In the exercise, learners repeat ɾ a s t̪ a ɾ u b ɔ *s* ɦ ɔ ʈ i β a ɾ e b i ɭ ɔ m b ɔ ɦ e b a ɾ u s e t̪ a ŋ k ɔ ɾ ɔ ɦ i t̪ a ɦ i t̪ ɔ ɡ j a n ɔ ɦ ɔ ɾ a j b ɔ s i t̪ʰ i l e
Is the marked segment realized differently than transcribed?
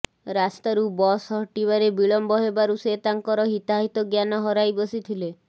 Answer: no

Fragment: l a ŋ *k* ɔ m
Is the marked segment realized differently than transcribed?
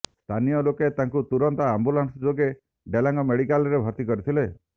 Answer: yes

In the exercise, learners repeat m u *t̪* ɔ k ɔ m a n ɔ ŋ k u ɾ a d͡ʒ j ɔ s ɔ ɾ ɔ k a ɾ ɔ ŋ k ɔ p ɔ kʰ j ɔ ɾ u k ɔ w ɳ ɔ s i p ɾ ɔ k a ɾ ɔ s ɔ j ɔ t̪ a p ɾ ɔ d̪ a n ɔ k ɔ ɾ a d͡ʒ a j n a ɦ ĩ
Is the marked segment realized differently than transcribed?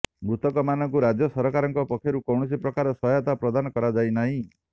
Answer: no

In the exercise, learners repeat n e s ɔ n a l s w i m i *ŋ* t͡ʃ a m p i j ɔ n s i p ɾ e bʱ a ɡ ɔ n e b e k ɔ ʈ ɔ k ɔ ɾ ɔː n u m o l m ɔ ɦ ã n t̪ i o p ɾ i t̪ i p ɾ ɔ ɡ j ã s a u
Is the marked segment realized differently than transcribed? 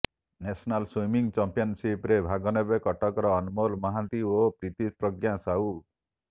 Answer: no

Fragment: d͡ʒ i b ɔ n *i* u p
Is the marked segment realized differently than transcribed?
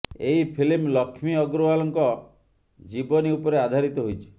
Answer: no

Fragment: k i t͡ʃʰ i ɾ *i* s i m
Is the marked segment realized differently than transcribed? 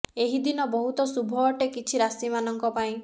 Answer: yes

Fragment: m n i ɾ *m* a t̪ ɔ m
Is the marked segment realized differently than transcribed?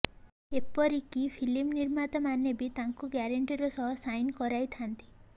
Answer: no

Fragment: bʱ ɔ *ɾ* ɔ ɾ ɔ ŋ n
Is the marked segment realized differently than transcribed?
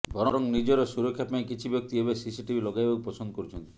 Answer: no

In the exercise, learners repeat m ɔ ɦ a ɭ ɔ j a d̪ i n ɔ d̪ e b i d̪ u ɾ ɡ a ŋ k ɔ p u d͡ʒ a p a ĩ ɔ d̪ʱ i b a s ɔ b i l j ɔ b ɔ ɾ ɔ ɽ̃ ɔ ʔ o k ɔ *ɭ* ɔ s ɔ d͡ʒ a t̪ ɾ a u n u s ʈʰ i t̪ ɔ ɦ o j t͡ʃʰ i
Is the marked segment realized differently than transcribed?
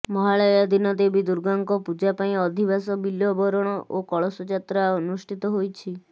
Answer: no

